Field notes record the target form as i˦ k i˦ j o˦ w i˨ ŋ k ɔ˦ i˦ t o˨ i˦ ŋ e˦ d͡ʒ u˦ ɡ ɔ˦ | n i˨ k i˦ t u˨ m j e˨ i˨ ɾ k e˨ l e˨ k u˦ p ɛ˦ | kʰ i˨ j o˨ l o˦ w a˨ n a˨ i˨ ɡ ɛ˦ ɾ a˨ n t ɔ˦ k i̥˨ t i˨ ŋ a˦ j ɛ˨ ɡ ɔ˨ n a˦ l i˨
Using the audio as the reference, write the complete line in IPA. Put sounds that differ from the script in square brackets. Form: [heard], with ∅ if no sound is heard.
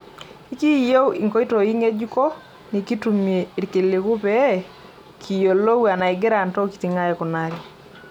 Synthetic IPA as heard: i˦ k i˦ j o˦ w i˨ ŋ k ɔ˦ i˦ t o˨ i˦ ŋ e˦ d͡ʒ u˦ [k] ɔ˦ | n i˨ k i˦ t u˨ m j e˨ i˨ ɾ k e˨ l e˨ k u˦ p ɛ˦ | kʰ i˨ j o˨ l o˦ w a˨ n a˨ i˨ ɡ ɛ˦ ɾ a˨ n t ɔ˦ k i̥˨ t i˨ ŋ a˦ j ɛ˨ [k] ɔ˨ n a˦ [ɾ] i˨